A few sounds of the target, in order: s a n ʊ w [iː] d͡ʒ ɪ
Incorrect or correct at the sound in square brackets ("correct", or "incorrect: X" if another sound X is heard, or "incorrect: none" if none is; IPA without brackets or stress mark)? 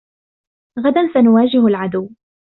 incorrect: aː